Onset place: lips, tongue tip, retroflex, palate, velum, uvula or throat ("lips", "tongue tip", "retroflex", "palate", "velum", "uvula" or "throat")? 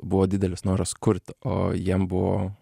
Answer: lips